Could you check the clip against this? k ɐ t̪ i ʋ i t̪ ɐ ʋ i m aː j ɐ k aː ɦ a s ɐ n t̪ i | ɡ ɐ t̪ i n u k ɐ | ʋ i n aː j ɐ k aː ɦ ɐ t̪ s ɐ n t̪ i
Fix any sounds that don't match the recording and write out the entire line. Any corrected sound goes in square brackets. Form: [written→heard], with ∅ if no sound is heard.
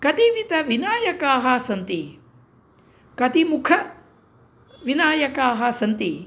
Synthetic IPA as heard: k ɐ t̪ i ʋ i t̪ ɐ ʋ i [m→n] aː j ɐ k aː ɦ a s ɐ n t̪ i | [ɡ→k] ɐ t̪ i [n→m] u [k→kʰ] ɐ | ʋ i n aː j ɐ k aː ɦ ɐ [t̪→∅] s ɐ n t̪ i